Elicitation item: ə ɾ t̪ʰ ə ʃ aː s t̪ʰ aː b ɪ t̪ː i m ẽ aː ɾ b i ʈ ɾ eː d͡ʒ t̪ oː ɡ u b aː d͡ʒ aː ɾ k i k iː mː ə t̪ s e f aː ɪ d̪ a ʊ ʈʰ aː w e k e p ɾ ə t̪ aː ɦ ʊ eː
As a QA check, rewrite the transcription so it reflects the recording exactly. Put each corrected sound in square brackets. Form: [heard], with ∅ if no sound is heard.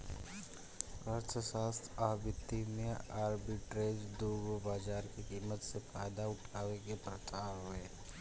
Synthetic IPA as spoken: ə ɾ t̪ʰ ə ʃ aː s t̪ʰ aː b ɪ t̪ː i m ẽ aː ɾ b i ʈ ɾ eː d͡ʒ [d̪] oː ɡ [o] b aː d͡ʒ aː ɾ k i k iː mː ə t̪ s e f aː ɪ d̪ a ʊ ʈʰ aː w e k e p ɾ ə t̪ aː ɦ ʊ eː